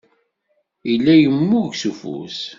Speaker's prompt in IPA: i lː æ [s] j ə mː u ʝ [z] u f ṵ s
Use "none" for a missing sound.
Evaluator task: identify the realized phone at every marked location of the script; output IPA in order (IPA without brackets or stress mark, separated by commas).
none, s